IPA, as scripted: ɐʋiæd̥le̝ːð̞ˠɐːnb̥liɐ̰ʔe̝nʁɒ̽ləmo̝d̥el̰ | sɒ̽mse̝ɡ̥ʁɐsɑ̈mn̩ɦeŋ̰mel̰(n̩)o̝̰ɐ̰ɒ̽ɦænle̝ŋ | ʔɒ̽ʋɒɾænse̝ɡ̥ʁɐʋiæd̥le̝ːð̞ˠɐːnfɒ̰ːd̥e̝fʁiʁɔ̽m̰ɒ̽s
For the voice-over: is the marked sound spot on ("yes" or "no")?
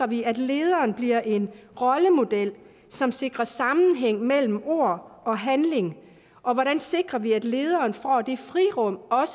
no